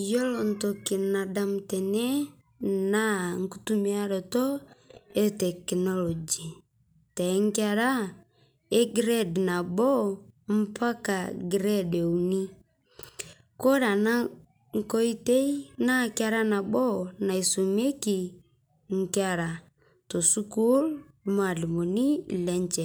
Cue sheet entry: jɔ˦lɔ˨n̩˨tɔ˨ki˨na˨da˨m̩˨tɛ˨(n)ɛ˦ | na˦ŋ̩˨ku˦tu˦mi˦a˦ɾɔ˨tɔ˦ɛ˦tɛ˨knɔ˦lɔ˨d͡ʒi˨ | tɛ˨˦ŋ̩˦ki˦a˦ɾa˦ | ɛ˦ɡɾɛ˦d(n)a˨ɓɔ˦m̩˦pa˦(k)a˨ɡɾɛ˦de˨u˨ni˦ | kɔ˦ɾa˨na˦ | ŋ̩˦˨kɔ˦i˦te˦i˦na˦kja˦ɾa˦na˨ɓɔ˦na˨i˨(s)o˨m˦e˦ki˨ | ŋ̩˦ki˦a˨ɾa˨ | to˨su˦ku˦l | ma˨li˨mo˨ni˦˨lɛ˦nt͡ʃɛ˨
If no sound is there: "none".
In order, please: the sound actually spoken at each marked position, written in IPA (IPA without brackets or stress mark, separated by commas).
n, n, k, s